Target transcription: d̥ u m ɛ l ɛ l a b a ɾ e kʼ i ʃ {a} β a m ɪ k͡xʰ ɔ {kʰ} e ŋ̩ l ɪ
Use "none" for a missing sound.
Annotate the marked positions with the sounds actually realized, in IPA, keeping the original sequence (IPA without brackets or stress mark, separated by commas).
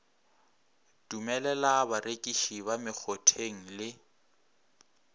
i, tʰ